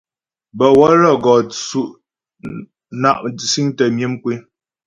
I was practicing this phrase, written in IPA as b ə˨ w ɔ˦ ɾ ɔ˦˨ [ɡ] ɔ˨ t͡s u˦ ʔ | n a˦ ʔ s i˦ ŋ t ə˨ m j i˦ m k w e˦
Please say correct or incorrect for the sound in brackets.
correct